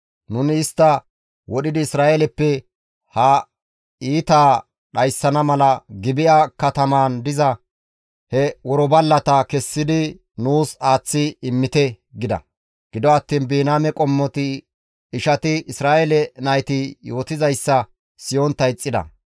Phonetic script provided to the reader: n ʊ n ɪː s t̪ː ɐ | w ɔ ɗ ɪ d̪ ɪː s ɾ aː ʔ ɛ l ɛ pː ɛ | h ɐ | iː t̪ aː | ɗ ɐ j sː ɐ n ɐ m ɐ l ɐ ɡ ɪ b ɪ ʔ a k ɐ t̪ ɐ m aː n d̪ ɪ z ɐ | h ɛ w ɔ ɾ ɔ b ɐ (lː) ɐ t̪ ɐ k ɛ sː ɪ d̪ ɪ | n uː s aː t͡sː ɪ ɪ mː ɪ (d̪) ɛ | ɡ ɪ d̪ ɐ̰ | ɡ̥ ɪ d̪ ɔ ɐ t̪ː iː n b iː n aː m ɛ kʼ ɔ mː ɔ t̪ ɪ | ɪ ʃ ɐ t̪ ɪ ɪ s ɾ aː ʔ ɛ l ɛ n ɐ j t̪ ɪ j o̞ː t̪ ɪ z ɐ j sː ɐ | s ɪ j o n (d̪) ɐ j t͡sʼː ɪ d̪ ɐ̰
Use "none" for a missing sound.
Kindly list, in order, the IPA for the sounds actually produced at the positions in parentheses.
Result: lː, t̪, t̪

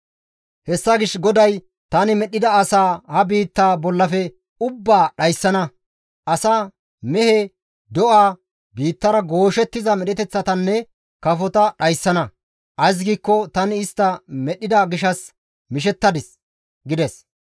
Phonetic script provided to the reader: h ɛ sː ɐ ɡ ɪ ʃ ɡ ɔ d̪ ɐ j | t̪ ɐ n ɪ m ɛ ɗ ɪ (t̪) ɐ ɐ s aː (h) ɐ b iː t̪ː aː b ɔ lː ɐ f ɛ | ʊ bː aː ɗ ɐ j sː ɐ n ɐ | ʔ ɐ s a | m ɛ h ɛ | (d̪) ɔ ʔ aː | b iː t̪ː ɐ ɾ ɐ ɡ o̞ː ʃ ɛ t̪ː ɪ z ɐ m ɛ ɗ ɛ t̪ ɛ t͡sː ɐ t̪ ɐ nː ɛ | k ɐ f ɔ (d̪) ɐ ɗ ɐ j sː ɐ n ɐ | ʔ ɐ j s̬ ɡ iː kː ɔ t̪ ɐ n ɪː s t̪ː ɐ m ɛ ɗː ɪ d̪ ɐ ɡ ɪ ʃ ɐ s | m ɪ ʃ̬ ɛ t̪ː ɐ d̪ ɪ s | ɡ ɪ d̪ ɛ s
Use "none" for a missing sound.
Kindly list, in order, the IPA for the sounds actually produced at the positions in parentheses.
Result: d̪, h, d̪, t̪

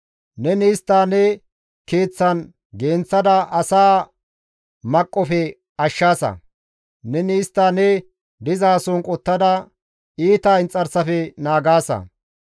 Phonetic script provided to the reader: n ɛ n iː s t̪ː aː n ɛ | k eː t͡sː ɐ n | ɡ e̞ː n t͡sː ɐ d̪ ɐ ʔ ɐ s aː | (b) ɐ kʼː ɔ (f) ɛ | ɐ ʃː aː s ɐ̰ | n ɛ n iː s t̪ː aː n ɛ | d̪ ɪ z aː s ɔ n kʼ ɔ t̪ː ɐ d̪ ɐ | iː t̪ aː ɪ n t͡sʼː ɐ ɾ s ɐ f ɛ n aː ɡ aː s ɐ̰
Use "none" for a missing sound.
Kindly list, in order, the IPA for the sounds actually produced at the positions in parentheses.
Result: m, f

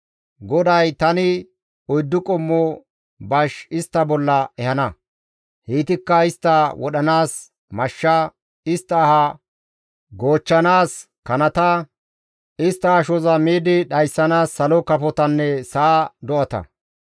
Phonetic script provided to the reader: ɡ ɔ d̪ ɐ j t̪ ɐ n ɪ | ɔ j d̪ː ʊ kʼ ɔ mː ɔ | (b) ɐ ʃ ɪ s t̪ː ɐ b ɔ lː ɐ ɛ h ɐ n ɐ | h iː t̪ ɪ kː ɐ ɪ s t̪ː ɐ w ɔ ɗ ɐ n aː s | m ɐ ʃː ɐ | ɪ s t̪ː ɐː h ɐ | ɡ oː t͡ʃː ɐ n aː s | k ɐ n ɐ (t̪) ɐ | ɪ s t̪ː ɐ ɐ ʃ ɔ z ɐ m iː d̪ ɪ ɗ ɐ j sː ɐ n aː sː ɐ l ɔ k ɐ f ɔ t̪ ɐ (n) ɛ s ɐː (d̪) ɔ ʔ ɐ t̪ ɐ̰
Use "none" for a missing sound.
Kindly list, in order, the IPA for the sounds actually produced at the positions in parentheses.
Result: b, t̪, nː, d̪

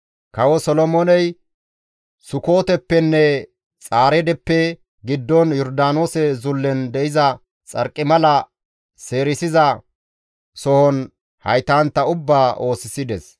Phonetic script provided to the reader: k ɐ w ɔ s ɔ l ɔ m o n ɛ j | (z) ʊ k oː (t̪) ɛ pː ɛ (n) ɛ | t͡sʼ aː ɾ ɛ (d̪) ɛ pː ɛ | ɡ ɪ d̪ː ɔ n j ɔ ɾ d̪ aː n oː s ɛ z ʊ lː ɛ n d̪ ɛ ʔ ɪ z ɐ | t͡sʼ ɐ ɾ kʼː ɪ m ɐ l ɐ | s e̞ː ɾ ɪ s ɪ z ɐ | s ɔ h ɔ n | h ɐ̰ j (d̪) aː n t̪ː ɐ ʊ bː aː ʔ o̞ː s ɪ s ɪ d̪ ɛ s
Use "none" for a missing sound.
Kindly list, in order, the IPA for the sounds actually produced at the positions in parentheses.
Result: s, t̪, nː, d̪, t̪

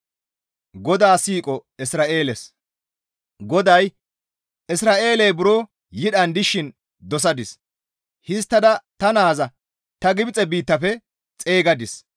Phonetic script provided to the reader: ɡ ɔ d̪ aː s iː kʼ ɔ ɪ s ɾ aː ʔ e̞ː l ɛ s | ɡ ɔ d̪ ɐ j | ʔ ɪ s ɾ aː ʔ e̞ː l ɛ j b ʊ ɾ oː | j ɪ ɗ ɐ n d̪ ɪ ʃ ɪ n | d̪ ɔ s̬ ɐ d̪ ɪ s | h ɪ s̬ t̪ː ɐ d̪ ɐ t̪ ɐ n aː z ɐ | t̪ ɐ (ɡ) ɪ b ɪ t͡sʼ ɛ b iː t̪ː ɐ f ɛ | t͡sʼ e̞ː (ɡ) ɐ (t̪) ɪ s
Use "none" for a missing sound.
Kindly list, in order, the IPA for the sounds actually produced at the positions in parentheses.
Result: ɡ, ɡ, d̪

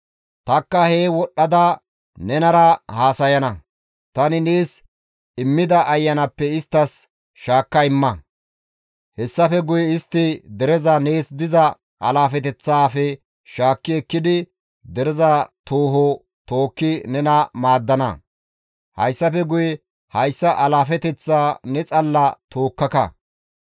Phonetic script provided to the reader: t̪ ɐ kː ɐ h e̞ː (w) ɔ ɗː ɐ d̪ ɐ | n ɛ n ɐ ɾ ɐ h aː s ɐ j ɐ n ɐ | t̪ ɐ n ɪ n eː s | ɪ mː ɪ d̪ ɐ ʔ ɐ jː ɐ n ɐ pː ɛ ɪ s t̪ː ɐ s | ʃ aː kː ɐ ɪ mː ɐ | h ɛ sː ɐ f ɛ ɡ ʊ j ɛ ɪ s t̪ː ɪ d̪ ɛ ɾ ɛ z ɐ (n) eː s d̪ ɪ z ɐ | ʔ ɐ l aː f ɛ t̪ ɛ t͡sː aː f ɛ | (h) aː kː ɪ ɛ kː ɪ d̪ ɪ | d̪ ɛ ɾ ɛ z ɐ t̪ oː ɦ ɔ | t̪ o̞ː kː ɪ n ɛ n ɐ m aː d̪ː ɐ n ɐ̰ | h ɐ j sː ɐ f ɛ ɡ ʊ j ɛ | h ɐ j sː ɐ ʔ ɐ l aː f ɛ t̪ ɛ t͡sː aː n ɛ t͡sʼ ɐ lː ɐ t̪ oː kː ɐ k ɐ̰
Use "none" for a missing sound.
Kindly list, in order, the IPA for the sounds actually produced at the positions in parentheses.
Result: w, n, ʃ

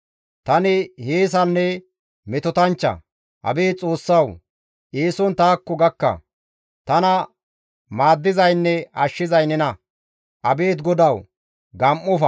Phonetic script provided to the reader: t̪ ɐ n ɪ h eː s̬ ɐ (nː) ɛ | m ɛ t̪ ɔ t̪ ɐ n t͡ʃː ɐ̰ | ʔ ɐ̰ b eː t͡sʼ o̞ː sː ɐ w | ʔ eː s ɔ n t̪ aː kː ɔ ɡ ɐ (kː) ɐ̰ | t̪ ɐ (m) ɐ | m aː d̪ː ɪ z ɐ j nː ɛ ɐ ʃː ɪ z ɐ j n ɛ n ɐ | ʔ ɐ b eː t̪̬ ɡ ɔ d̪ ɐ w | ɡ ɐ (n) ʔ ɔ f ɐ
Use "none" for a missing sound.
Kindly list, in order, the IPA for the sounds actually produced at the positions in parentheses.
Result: nː, kː, n, m

